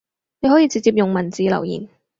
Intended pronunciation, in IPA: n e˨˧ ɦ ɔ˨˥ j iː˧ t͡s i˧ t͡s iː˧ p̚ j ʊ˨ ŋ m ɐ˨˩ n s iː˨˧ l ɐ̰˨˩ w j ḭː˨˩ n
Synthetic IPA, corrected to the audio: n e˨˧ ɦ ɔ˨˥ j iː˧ t͡s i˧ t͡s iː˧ p̚ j ʊ˨ ŋ m ɐ˨˩ n t͡s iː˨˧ l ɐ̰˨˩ w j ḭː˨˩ n